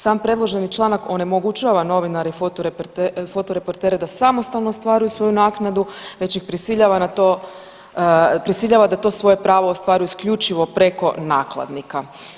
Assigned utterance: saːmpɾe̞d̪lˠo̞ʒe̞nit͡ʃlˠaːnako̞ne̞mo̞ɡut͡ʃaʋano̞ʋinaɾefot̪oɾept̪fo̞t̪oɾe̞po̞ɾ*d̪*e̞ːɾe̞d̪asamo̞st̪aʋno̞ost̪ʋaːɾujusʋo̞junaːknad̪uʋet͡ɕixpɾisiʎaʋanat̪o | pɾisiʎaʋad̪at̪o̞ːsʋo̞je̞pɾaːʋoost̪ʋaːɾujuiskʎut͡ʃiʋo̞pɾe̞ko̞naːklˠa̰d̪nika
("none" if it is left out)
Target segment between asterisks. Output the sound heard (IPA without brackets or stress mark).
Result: t̪